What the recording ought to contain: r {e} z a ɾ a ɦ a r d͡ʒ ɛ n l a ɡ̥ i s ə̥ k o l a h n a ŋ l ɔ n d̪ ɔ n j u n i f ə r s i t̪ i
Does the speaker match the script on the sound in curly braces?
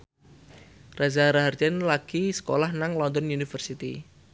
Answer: no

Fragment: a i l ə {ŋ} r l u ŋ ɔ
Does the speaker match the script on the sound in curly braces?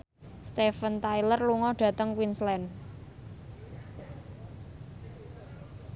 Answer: no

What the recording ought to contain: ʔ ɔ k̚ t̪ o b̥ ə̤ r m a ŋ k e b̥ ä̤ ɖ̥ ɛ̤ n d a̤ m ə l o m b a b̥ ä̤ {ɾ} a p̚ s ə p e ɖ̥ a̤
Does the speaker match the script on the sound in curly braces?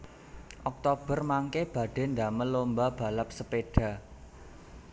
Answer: no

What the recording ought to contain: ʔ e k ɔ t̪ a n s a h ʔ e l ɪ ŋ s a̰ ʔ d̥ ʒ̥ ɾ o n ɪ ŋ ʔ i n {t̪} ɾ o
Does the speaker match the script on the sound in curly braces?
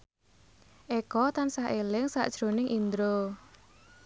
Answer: no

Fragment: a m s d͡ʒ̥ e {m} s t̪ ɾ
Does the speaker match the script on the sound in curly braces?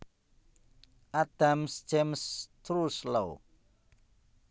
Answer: yes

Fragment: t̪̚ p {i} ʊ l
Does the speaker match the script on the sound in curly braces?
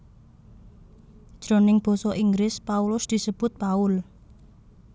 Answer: no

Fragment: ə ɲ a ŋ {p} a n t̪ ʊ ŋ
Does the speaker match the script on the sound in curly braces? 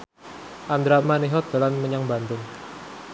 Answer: no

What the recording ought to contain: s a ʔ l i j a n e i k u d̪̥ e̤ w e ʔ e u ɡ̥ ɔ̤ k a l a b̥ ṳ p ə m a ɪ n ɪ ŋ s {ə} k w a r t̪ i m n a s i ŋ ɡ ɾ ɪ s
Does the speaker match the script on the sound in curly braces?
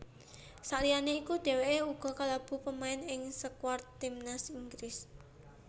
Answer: yes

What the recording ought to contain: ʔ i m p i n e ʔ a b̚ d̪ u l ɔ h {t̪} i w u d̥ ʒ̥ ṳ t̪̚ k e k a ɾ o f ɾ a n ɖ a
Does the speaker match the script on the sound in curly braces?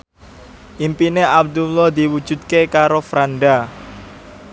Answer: no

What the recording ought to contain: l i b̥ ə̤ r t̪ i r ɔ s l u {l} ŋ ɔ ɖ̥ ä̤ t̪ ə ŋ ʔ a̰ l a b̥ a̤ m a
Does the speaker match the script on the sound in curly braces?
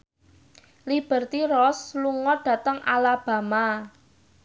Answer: no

